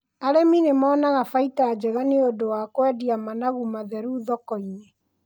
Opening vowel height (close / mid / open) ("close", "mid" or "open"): open